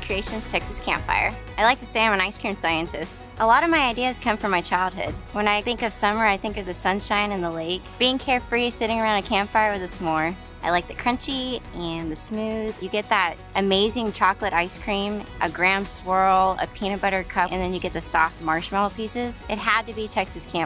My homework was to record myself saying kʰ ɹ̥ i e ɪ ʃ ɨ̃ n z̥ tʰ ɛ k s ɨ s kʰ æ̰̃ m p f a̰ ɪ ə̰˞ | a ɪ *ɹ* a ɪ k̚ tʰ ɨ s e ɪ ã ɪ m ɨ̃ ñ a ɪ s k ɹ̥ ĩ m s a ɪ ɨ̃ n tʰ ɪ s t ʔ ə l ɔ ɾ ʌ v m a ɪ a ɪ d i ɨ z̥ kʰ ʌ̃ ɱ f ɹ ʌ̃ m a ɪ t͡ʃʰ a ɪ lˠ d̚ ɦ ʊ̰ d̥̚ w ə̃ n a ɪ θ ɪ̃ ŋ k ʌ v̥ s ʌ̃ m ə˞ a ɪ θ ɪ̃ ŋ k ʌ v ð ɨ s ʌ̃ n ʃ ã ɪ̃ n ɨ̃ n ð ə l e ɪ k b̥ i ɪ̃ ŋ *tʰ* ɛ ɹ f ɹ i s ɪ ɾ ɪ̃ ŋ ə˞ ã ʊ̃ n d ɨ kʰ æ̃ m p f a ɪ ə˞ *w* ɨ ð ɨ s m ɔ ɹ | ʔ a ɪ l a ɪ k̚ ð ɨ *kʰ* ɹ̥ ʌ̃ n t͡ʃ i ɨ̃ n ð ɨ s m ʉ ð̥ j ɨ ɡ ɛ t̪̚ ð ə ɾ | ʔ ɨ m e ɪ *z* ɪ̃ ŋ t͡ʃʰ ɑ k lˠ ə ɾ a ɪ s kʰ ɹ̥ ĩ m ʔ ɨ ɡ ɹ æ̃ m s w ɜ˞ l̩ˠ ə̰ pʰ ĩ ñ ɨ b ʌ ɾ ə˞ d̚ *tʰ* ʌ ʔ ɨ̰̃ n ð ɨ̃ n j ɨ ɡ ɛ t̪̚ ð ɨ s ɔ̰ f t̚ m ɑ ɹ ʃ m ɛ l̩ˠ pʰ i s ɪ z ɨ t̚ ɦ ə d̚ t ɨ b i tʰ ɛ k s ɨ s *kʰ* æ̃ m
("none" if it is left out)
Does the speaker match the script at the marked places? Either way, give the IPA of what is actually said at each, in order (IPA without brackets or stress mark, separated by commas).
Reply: l, kʰ, w, kʰ, z, kʰ, kʰ